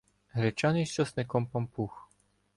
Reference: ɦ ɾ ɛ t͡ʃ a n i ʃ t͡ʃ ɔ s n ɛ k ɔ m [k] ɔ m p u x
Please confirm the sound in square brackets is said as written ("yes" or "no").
no